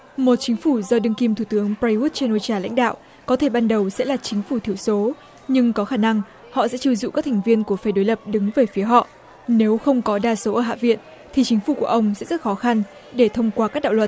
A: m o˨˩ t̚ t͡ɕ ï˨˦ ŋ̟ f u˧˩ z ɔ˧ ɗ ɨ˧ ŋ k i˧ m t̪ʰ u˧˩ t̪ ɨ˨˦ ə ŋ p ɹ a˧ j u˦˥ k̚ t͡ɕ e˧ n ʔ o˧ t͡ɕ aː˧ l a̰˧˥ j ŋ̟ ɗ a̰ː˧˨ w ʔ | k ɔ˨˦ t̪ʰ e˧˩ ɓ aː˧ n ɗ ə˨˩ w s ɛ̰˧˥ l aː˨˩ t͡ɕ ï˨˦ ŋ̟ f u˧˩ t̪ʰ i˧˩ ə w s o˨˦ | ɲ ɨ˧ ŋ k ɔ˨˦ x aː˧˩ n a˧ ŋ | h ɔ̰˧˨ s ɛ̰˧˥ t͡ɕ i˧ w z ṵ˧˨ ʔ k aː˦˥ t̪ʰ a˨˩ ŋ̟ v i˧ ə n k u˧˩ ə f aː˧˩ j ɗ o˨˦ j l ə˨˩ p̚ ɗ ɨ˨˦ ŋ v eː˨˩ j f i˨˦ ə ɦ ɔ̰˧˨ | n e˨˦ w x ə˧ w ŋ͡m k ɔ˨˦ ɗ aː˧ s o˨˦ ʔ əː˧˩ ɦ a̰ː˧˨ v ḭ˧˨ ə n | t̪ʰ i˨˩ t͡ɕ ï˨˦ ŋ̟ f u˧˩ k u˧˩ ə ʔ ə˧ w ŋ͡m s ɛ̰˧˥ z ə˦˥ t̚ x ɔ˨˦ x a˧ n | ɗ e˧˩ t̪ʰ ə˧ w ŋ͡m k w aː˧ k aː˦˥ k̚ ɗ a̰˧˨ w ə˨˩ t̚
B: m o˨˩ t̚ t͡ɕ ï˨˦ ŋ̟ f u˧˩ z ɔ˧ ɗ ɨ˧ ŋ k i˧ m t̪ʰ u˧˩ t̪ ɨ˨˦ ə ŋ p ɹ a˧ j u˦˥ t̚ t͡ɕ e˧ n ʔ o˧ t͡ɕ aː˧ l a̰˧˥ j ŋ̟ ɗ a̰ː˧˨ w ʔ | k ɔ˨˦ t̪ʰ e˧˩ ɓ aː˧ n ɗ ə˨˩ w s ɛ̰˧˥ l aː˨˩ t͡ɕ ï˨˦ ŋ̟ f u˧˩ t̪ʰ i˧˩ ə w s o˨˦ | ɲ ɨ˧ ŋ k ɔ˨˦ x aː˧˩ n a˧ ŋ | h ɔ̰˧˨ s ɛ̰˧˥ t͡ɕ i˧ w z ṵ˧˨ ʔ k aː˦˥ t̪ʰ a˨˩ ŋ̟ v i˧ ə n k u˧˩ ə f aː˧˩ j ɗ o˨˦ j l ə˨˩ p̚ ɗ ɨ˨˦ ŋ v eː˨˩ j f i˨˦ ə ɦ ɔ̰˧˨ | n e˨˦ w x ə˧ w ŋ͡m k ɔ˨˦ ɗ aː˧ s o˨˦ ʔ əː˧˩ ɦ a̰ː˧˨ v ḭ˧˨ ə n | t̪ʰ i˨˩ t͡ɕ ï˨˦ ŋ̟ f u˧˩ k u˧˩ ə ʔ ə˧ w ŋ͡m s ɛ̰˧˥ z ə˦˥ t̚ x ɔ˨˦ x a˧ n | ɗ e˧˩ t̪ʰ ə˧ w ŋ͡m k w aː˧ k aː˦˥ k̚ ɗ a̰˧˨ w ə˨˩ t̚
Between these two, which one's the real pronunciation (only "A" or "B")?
B